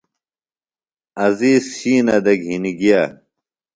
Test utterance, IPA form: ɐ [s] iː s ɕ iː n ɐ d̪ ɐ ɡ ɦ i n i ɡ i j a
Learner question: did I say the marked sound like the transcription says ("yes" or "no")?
no